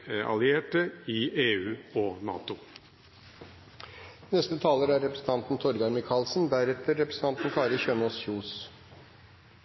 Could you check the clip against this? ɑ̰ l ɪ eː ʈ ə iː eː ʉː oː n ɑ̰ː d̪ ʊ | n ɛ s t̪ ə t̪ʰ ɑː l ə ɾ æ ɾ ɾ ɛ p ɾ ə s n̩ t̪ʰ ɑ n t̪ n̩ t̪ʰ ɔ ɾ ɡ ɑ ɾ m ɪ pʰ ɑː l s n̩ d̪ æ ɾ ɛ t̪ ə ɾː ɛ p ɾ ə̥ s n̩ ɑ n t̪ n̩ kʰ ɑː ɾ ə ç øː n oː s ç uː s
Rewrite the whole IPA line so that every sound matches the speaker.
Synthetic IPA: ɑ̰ l ɪ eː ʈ ə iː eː ʉː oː n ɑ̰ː t̪ ʊ | n ɛ s t̪ ə t̪ʰ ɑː l ə ɾ æ ɾ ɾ ɛ p ɾ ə s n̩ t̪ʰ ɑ n t̪ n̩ t̪ʰ ɔ ɾ ɡ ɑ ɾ m ɪ kʰ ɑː l s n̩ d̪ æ ɾ ɛ t̪ ə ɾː ɛ p ɾ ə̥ s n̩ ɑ n t̪ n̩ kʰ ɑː ɾ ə ç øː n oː s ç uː s